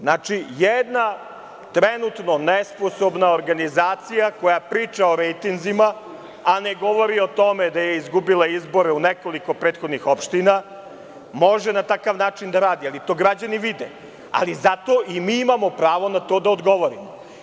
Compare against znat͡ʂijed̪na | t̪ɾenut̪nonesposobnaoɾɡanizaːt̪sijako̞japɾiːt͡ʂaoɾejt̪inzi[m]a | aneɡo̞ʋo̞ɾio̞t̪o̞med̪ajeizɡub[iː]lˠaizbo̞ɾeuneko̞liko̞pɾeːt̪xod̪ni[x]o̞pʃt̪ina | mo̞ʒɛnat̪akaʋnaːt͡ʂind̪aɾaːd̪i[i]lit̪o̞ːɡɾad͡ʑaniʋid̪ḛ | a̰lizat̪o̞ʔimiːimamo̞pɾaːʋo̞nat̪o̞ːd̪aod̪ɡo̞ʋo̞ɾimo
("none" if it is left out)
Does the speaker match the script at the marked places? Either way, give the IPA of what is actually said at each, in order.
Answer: m, i, x, a

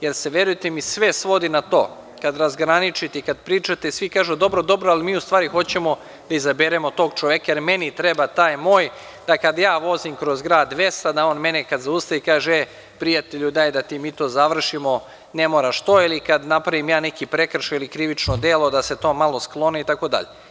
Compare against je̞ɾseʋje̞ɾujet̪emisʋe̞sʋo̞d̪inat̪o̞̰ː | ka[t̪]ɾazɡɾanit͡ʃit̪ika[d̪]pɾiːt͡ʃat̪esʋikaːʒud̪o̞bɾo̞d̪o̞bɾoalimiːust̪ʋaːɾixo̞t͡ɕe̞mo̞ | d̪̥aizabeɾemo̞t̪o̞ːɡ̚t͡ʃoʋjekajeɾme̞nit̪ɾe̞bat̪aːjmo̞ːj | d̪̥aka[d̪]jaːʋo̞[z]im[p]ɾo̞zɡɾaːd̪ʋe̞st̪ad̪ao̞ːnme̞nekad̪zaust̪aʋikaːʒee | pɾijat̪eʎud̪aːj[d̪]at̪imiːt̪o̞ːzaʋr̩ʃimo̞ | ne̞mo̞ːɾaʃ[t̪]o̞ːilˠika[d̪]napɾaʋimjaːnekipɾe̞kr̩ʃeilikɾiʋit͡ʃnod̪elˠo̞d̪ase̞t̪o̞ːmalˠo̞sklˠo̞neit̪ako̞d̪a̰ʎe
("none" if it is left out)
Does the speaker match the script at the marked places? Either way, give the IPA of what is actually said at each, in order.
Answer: d̪, d̪, d̪, z, k, d̪, t̪, d̪

